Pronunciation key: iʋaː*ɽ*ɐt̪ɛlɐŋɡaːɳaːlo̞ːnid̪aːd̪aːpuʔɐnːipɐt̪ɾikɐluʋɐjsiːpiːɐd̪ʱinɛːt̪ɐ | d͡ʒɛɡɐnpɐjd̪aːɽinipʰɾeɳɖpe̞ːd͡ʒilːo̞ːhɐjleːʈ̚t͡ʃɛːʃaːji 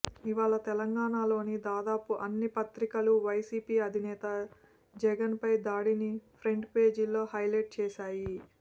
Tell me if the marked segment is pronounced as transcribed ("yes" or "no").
no